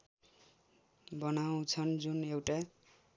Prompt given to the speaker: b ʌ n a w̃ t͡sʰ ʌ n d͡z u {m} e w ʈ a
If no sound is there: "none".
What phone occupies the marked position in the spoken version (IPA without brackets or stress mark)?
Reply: n